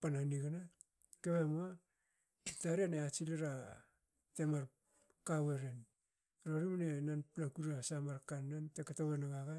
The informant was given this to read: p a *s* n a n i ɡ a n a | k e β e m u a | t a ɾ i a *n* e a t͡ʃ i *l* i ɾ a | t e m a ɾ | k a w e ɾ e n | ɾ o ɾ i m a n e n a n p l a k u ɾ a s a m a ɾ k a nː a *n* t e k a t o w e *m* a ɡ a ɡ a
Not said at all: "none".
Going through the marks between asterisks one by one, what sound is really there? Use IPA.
none, n, l, n, n

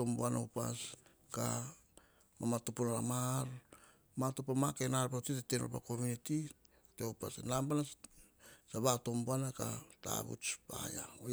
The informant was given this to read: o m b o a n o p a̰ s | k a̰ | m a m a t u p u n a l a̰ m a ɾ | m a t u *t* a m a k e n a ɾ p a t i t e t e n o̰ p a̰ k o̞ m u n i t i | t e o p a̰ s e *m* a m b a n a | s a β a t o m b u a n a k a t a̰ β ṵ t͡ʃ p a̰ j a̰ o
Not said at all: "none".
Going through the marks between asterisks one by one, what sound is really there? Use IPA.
p, n

